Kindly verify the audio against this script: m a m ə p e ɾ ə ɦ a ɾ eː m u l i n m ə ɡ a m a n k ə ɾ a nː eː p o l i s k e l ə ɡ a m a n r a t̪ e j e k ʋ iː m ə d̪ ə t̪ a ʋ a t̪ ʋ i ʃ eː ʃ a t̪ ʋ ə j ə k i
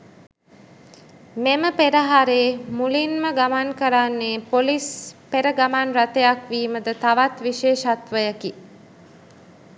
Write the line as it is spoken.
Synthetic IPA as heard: m e m ə p e ɾ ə ɦ a ɾ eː m u l i n m ə ɡ a m a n k ə ɾ a nː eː p o l i s p e ɾ ə ɡ a m a n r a t̪ e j a k ʋ iː m ə d̪ ə t̪ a ʋ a t̪ ʋ i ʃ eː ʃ a t̪ ʋ ə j ə k i